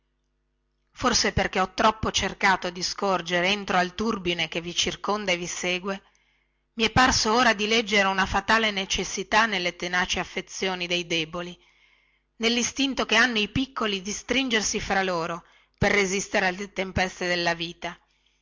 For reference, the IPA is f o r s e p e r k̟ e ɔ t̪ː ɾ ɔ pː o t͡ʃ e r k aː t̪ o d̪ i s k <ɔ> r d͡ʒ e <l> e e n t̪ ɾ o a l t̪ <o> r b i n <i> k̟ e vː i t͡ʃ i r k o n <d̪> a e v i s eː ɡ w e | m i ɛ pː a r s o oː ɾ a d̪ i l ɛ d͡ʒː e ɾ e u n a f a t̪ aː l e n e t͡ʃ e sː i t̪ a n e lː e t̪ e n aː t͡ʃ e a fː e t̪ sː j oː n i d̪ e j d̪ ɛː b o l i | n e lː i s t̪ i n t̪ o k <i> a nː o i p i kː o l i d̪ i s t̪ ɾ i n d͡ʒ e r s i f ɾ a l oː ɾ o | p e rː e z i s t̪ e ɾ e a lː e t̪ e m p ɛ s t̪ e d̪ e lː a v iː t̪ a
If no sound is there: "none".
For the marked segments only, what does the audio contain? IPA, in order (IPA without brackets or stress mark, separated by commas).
o, ɾ, u, e, d̪, e